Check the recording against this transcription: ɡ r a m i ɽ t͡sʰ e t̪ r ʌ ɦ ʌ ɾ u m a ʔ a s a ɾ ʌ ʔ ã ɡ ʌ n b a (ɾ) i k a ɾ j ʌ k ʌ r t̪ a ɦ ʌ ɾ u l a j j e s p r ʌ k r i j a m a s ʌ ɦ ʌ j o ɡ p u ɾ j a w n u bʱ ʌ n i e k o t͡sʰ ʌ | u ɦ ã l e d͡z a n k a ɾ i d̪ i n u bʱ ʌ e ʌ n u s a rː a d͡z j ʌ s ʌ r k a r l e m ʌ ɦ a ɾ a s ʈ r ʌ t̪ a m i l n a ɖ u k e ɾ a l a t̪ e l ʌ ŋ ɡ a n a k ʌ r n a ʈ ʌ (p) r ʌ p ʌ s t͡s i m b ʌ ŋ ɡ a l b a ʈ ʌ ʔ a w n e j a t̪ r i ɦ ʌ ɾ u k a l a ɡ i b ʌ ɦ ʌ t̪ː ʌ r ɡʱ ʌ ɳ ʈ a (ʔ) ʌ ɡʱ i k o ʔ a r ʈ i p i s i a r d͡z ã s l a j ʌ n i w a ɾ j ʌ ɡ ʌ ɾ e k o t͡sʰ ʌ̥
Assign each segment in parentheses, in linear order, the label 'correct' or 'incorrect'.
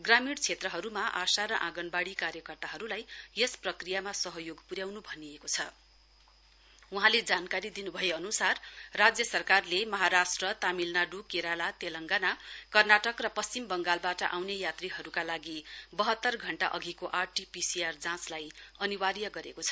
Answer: incorrect, incorrect, correct

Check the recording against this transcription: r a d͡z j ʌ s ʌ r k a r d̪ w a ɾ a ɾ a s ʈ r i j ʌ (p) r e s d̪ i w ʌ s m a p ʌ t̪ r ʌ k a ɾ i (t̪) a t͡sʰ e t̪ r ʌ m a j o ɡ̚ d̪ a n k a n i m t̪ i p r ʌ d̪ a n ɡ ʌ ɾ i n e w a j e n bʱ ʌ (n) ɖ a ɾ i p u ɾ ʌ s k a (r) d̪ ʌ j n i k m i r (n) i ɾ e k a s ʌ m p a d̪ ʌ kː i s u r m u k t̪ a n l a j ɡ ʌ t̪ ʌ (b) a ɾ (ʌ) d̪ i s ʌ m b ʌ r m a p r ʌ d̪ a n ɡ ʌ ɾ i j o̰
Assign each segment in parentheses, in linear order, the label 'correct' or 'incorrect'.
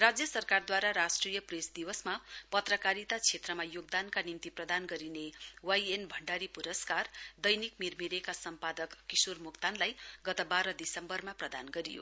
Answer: correct, correct, incorrect, correct, incorrect, correct, correct

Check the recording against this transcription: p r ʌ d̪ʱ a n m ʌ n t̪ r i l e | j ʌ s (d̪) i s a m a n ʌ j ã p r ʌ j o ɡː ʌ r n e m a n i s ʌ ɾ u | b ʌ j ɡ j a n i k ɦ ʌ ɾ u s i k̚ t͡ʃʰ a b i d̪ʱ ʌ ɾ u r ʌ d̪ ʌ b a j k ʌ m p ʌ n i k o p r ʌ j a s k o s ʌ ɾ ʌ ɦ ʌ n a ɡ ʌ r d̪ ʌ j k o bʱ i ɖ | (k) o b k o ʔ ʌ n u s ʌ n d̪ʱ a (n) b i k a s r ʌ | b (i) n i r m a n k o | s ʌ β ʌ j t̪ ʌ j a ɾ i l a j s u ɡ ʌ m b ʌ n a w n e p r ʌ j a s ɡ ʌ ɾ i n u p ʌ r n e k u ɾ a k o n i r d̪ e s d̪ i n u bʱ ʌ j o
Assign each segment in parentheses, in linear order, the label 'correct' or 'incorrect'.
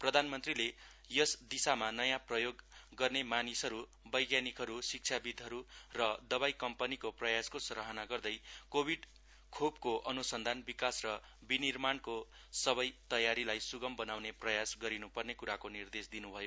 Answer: correct, incorrect, correct, correct

